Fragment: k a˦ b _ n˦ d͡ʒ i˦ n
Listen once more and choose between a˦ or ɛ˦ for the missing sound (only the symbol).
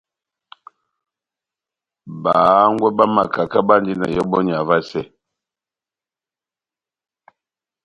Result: a˦